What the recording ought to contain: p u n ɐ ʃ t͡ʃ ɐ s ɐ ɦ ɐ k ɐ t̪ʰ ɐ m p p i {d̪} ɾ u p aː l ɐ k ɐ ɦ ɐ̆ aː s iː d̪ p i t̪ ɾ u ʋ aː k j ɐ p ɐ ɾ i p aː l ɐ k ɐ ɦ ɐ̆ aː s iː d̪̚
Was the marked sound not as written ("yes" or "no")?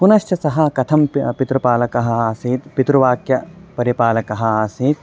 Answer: yes